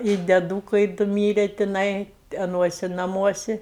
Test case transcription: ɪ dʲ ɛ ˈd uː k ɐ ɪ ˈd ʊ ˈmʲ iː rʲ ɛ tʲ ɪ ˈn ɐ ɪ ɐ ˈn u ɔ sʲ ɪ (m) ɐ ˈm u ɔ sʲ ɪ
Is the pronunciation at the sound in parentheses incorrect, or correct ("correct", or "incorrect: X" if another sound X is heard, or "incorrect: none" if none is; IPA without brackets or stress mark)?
incorrect: n